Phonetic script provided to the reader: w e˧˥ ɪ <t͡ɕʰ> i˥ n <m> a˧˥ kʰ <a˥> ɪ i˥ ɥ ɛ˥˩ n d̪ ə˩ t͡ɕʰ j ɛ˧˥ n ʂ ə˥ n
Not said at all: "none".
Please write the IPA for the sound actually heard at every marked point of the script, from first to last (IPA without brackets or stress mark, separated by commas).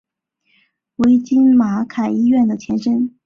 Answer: t͡ɕ, m, a˨˩